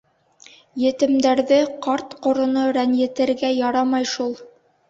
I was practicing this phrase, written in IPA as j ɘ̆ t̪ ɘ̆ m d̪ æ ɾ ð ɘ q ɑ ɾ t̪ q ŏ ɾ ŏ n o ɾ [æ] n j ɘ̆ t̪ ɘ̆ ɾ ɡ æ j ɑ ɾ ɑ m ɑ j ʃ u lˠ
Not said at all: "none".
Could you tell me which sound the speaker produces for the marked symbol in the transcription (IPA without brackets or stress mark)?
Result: æ